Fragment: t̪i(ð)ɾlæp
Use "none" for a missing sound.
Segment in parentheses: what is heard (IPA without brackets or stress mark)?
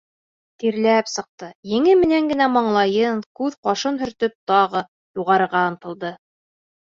none